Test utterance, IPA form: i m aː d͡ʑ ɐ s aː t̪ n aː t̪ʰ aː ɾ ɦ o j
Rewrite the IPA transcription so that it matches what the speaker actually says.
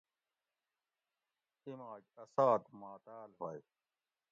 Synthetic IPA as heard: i m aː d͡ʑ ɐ s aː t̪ m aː t̪ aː l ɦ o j